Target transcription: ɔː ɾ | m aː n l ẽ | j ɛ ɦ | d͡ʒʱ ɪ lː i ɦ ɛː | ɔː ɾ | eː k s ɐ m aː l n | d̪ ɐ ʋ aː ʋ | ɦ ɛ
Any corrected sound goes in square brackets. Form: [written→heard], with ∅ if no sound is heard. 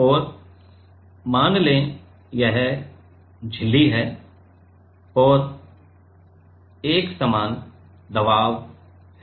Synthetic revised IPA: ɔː ɾ | m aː n l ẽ | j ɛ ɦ | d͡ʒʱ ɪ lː i ɦ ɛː | ɔː ɾ | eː k s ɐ m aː [l→∅] n | d̪ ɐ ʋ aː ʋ | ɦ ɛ